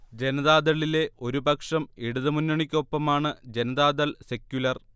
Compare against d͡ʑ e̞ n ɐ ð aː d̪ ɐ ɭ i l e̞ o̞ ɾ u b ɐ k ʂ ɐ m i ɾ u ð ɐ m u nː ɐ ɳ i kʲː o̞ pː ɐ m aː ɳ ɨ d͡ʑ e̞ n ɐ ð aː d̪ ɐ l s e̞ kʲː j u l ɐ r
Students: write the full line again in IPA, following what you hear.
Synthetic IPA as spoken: d͡ʑ e̞ n ɐ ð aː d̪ ɐ ɭ i l e̞ o̞ ɾ u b ɐ k ʂ ɐ m i ɽ u ð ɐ m u nː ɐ ɳ i kʲː o̞ pː ɐ m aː ɳ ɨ d͡ʑ e̞ n ɐ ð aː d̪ ɐ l s e̞ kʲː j u l ɐ r